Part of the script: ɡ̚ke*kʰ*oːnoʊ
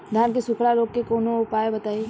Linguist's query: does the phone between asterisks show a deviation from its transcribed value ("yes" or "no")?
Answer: yes